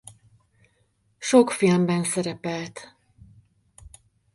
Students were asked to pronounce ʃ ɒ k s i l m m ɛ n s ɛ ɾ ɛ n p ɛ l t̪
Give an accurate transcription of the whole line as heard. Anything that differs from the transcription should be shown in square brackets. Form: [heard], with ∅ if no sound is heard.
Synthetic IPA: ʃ [o] k [f] i l m [b] ɛ n s ɛ ɾ ɛ [∅] p ɛ l t̪